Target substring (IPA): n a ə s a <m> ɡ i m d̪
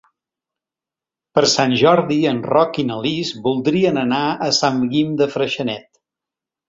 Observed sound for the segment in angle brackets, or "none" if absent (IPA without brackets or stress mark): m